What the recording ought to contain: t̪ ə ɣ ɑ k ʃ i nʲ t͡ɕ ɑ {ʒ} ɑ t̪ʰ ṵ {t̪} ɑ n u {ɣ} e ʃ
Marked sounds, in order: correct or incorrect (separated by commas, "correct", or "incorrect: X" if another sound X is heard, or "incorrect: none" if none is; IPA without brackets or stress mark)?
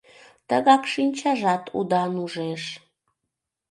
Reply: correct, incorrect: d̪, incorrect: ʒ